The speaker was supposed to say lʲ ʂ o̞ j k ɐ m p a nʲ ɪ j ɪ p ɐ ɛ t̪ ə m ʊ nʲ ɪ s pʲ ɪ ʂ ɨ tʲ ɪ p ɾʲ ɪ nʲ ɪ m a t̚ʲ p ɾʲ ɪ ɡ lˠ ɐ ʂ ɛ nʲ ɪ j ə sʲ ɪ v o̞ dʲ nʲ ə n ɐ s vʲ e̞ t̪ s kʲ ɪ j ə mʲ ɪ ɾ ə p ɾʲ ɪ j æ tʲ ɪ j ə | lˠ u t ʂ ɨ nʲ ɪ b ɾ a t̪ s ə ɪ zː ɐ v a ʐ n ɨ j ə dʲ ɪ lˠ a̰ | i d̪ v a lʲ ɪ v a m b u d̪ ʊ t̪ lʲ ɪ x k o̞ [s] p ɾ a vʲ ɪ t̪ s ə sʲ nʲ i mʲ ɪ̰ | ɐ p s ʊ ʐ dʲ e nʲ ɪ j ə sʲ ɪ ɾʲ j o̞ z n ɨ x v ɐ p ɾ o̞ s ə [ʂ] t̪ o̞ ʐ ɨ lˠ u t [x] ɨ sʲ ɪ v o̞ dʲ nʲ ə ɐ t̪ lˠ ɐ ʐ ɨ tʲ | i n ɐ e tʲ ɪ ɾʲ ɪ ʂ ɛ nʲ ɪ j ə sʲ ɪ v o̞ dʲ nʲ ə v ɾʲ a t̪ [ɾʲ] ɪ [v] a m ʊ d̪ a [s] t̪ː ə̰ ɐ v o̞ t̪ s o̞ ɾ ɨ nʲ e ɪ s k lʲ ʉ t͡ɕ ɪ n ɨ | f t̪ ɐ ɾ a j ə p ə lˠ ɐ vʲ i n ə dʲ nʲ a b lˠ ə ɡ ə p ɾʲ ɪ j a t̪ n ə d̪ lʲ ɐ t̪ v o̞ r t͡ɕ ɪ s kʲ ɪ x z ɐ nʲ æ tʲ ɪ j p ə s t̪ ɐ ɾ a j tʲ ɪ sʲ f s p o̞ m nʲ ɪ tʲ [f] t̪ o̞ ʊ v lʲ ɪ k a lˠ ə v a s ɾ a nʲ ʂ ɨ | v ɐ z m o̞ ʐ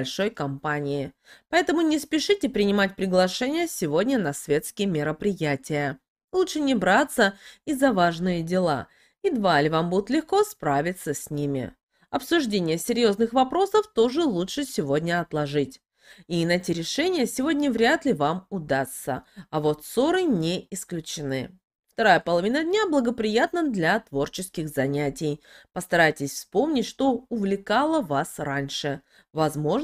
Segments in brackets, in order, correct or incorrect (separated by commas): correct, incorrect, incorrect, incorrect, correct, correct, incorrect